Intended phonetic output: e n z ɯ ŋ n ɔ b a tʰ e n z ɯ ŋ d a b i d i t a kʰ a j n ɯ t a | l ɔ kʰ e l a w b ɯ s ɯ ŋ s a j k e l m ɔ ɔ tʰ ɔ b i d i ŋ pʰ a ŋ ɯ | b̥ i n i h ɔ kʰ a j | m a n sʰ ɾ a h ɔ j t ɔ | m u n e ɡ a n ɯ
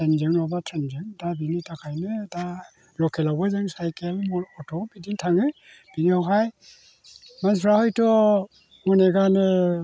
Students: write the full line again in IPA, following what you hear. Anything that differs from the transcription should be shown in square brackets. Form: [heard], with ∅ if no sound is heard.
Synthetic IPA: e n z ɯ ŋ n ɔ b a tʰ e n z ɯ ŋ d a b i [n] i t a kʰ a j n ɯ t a | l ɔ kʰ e l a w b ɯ [z] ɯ ŋ s a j k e l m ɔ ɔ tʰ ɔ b i d i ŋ [tʰ] a ŋ ɯ | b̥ i n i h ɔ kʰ a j | m a n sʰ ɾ a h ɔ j t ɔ | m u n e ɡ a n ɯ